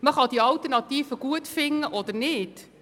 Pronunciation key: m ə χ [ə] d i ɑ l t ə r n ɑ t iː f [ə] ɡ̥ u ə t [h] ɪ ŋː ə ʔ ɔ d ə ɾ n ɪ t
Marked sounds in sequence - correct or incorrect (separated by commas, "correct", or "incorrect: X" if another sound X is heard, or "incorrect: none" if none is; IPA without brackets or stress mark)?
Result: incorrect: ɑ, correct, incorrect: f